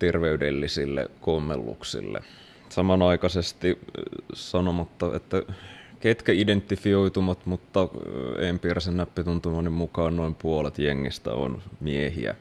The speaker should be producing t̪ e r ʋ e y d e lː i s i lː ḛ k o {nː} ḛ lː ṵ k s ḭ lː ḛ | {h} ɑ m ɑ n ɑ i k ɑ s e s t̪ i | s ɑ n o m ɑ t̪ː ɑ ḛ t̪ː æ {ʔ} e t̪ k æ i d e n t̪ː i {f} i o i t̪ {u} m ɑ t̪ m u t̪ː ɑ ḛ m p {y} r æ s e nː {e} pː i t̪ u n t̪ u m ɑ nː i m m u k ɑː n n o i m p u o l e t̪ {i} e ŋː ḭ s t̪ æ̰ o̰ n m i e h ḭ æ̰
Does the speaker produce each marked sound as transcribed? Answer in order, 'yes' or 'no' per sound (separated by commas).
no, no, no, yes, yes, no, no, no